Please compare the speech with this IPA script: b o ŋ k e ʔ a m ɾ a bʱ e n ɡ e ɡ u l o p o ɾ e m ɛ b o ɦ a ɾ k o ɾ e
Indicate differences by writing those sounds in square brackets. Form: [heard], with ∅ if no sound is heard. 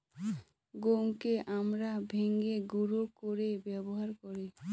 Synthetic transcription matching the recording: [ɡ] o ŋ k e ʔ a m ɾ a bʱ e [ŋ] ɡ e ɡ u [ɾ] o [k] o ɾ e [b] ɛ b o ɦ a ɾ k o ɾ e